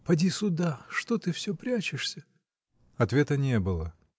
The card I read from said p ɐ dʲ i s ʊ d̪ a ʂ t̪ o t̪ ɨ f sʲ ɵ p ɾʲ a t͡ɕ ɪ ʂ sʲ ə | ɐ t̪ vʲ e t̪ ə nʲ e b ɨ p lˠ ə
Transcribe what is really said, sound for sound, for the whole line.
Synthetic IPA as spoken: p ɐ dʲ i s ʊ d̪ a ʂ t̪ o t̪ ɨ f sʲ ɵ p ɾʲ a t͡ɕ ɪ ʂ sʲ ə | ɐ t̪ vʲ e t̪ ə nʲ e b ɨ lˠ ə